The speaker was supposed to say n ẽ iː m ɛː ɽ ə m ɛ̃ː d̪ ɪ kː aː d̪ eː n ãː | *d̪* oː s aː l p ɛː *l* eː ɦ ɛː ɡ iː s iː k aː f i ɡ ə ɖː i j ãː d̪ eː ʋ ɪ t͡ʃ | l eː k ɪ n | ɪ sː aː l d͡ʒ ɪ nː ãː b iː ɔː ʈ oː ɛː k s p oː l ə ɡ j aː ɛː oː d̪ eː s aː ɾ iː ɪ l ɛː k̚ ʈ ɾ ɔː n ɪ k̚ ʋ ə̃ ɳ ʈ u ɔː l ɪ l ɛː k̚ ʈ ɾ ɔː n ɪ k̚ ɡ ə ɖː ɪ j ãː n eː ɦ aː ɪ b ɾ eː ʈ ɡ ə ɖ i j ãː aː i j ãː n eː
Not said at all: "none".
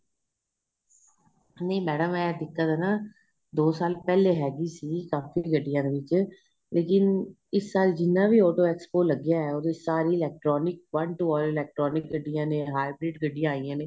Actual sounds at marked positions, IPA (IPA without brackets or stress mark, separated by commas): d̪, l